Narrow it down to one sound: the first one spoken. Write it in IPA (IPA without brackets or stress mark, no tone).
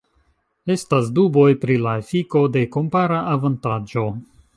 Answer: e̞